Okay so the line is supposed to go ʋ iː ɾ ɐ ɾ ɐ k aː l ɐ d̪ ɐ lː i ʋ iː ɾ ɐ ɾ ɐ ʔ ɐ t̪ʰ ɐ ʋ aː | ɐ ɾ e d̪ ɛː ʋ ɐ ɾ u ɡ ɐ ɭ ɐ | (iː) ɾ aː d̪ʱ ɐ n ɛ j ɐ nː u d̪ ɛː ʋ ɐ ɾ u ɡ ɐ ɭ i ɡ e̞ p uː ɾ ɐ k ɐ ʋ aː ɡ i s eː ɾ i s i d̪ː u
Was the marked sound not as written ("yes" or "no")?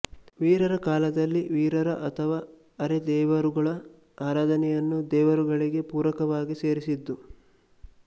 yes